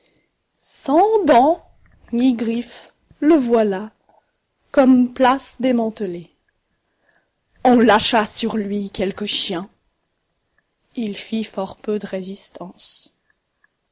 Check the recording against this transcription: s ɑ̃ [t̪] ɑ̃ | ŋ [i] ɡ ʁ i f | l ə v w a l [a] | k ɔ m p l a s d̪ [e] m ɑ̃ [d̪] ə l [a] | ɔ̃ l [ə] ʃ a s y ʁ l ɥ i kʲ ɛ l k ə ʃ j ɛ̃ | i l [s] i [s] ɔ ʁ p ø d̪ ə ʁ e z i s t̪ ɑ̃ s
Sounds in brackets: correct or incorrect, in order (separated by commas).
incorrect, correct, correct, correct, incorrect, incorrect, incorrect, incorrect, incorrect